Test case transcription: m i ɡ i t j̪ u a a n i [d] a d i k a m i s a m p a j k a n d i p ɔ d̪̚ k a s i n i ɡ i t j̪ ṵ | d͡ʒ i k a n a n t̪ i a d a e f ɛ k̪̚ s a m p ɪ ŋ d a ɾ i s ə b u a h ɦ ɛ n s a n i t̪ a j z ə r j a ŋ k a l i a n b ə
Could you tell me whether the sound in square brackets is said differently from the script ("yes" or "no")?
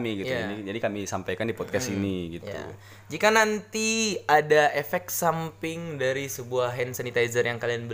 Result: yes